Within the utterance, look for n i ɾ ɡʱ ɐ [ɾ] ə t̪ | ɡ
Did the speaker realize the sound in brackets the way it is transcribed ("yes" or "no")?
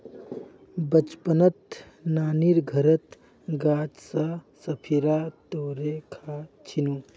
yes